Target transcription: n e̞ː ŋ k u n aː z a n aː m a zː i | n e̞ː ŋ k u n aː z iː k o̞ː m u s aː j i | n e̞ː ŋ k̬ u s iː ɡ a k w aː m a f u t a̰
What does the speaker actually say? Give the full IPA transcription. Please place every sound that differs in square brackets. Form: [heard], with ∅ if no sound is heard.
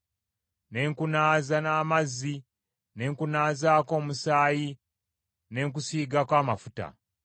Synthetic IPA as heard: n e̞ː ŋ k u n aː z a n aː m a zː i | n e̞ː ŋ k u n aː z [aː] k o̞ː m u s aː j i | n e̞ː ŋ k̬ u s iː ɡ a k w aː m a f u t a̰

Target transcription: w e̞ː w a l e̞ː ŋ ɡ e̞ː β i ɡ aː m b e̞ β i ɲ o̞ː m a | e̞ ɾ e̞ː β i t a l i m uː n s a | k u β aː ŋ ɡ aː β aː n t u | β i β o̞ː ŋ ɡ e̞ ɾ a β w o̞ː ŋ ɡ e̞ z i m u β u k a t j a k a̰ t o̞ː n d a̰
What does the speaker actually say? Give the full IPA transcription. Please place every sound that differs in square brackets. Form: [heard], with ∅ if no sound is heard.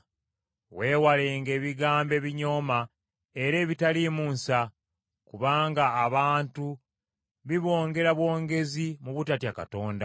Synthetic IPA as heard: w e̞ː w a l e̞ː ŋ ɡ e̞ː β i ɡ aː m b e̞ β i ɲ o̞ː m a | e̞ ɾ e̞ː β i t a l i m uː n s a | k u β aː ŋ ɡ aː β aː n t u | β i β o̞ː ŋ ɡ e̞ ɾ a β w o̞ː ŋ ɡ e̞ z i m u β u [t] a t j a k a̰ t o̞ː n d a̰

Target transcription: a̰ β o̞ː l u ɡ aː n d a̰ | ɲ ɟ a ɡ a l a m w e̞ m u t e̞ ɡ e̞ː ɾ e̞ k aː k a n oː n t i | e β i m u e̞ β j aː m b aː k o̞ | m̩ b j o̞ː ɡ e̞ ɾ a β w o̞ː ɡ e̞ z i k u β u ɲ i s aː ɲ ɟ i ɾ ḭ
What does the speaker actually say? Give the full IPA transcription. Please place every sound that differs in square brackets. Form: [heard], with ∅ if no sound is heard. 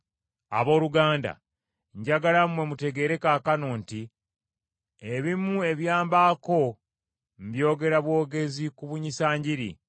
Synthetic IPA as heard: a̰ β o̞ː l u ɡ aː n d a̰ | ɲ ɟ a ɡ a l a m w e̞ m u t e̞ ɡ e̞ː ɾ e̞ k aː k a n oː n t i | e β i m u e̞ β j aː m b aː k o̞ | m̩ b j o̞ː ɡ e̞ ɾ a β w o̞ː ɡ e̞ z i k u β u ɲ i s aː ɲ ɟ i ɾ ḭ

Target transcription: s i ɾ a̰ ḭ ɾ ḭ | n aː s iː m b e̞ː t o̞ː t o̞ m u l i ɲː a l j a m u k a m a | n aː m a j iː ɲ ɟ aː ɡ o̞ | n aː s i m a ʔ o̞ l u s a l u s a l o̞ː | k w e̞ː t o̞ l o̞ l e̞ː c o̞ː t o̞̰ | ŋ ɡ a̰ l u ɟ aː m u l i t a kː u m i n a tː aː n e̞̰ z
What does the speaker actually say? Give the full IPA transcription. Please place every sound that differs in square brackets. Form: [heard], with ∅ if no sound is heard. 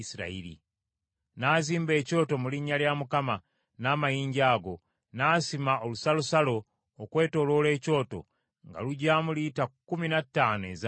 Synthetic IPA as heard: s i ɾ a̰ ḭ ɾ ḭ | n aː [z] iː m b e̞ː [c] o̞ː t o̞ m u l i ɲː a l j a m u k a m a | n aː m a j iː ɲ ɟ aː ɡ o̞ | n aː s i m a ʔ o̞ l u s a l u s a l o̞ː | k w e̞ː t o̞ l o̞ l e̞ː c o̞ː t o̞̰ | ŋ ɡ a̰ l u ɟ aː m u l i t a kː u m i n a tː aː n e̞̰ z

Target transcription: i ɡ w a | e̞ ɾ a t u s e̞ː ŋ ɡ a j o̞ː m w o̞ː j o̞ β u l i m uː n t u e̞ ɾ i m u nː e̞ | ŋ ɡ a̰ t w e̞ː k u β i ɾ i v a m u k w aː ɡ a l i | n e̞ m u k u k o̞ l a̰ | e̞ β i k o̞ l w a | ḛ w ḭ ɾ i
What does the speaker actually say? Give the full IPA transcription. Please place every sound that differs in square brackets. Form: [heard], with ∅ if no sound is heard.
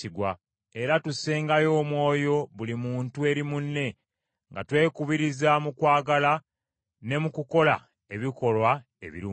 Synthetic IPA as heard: i ɡ w a | e̞ ɾ a t u s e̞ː ŋ ɡ a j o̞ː m w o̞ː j o̞ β u l i m uː n t u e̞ ɾ i m u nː e̞ | ŋ ɡ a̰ t w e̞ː k u β i ɾ i [z] a m u k w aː ɡ a l [a] | n e̞ m u k u k o̞ l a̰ | e̞ β i k o̞ l w a | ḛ [β] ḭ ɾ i

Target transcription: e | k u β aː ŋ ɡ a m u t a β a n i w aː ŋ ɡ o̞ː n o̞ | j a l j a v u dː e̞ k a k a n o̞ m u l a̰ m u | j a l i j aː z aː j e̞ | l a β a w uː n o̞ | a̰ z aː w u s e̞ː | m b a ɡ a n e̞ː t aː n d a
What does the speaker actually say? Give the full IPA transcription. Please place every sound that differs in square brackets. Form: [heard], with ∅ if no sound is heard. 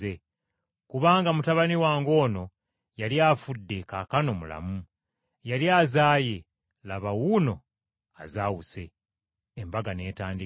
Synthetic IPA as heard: e | k u β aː ŋ ɡ a m u t a β a n i w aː ŋ ɡ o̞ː n o̞ | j a l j a [f] u dː e̞ k a k a n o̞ m u l a̰ m u | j a l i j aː z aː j e̞ | l a β a w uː n o̞ | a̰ z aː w u s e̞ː | m b a ɡ a n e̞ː t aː n d [i]

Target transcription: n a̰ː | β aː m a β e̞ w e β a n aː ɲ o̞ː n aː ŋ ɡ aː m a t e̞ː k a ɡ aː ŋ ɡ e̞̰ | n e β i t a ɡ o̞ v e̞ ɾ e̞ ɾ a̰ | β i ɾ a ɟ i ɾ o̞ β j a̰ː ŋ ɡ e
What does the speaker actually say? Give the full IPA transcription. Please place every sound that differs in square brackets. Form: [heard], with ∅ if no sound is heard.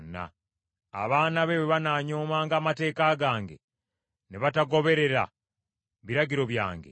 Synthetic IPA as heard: n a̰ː | β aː [n] a β e̞ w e β a n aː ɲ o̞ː [m] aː ŋ ɡ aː m a t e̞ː k a ɡ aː ŋ ɡ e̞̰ | n e β [a] t a ɡ o̞ [β] e̞ ɾ e̞ ɾ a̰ | β i ɾ a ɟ i ɾ o̞ β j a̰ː ŋ ɡ e

